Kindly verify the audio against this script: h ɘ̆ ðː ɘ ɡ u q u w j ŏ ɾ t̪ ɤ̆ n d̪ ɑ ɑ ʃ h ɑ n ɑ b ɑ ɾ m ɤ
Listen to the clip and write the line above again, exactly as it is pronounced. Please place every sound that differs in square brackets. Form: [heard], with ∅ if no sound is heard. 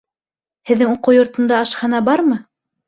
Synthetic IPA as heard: h ɘ̆ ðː ɘ [ŋ] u q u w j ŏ ɾ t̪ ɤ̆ n d̪ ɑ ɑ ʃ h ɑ n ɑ b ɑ ɾ m ɤ

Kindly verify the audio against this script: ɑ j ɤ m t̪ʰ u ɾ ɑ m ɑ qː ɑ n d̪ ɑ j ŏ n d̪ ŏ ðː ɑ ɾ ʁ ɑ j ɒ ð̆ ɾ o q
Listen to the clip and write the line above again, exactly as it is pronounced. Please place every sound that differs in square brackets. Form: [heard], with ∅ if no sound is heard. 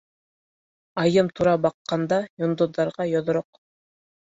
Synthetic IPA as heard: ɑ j ɤ m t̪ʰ u ɾ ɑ [b] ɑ qː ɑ n d̪ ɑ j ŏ n d̪ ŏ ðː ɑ ɾ ʁ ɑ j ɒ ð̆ ɾ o q

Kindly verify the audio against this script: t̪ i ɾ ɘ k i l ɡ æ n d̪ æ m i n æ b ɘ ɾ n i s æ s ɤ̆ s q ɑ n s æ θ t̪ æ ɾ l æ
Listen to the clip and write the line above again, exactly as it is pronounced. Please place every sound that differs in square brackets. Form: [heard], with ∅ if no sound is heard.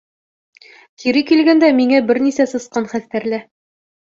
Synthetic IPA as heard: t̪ i ɾ ɘ k i l ɡ æ n d̪ æ m i [ŋ] æ b ɘ ɾ n i s æ s ɤ̆ s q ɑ n [χ] æ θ t̪ æ ɾ l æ

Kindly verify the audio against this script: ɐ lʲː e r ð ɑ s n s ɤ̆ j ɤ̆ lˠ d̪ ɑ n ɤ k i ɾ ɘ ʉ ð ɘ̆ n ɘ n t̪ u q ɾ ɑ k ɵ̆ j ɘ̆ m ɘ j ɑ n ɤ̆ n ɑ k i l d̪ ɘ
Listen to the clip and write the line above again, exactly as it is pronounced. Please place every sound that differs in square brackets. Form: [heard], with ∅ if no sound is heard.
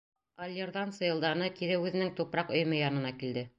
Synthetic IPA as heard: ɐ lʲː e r ð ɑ [∅] n s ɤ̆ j ɤ̆ lˠ d̪ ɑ n ɤ k i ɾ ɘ ʉ ð ɘ̆ n ɘ [ŋ] t̪ u [p] ɾ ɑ [q] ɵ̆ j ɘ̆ m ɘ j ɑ n ɤ̆ n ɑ k i l d̪ ɘ

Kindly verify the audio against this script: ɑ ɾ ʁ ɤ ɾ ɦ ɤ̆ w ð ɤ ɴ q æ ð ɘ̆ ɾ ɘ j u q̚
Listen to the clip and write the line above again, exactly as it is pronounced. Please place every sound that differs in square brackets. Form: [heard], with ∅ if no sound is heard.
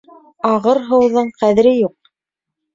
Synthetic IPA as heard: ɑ [∅] ʁ ɤ ɾ ɦ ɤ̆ w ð ɤ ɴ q æ ð ɘ̆ ɾ ɘ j u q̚

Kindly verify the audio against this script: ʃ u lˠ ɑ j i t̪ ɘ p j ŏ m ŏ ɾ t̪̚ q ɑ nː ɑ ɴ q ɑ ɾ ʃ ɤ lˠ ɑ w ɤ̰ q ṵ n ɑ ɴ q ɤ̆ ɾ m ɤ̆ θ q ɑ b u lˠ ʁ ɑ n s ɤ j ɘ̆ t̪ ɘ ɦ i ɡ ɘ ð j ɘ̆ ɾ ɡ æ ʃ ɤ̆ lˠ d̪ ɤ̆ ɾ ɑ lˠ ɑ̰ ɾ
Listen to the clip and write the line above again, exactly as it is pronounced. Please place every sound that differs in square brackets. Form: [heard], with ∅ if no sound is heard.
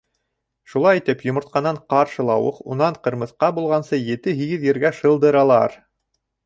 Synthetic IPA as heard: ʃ u lˠ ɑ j i t̪ ɘ p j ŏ m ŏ ɾ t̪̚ q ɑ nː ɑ ɴ q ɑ ɾ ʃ ɤ lˠ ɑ w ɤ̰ q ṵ n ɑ ɴ q ɤ̆ ɾ m ɤ̆ θ q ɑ b u lˠ ʁ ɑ n s ɤ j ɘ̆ t̪ ɘ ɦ i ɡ ɘ ð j ɘ̆ ɾ ɡ æ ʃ ɤ̆ lˠ d̪ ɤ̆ ɾ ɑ lˠ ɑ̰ ɾ

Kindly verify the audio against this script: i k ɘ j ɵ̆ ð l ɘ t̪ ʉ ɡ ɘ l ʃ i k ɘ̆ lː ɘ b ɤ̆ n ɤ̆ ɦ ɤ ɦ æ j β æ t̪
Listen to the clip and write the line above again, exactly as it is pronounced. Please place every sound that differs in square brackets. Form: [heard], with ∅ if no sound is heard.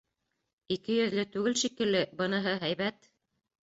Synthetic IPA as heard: i k ɘ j ɵ̆ ð l ɘ t̪ ʉ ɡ ɘ l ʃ i k ɘ̆ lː ɘ b ɤ̆ n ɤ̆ ɦ ɤ ɦ æ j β æ t̪

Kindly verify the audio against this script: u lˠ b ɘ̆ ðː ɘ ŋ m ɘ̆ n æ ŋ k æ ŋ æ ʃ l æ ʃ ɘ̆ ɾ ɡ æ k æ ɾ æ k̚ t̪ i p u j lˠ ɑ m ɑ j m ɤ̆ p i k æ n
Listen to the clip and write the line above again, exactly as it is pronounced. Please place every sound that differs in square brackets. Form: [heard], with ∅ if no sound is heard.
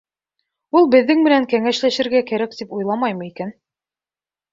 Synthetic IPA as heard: u lˠ b ɘ̆ ðː ɘ ŋ m ɘ̆ n æ ŋ k æ ŋ æ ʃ l æ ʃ ɘ̆ ɾ ɡ æ k æ ɾ æ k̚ t̪ i p u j lˠ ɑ m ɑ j m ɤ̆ [∅] i k æ n

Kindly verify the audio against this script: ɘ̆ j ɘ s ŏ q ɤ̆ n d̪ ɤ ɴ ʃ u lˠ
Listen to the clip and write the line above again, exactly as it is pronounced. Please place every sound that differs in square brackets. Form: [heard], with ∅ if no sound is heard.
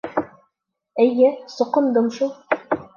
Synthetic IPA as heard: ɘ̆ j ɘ s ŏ q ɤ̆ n d̪ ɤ [m] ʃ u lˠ

